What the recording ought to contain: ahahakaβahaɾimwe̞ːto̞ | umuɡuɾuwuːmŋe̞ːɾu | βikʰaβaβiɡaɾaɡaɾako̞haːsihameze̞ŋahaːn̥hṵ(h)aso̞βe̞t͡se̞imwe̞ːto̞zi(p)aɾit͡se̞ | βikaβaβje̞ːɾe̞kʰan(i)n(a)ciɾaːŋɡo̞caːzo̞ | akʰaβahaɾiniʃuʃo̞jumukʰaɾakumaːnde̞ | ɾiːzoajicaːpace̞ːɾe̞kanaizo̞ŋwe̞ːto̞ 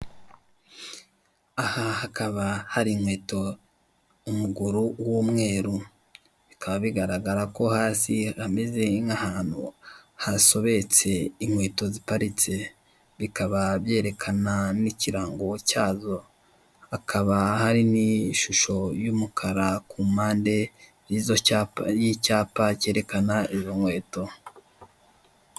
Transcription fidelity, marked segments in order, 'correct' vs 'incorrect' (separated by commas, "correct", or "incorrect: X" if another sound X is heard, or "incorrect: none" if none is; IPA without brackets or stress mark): correct, correct, incorrect: a, incorrect: i